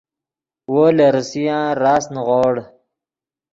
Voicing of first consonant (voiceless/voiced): voiced